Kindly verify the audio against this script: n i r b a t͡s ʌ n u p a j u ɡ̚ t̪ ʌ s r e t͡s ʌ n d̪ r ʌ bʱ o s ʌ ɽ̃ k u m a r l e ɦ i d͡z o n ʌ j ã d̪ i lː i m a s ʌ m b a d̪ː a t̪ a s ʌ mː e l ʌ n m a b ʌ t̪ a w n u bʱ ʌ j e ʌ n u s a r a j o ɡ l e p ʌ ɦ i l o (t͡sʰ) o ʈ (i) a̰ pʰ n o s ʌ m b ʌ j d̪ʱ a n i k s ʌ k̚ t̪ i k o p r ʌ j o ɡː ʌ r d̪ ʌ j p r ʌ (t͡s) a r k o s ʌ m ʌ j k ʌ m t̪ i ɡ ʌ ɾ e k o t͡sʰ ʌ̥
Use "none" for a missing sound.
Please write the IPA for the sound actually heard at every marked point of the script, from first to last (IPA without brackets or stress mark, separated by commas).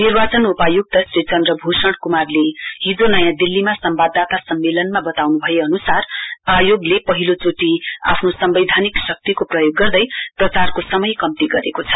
t͡s, i, t͡s